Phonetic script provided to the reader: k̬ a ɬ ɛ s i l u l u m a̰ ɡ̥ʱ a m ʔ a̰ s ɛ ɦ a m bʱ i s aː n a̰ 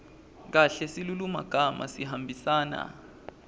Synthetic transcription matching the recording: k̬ a ɬ ɛ s i l u l u m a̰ ɡ̥ʱ a m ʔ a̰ s i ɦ a m bʱ i s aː n a̰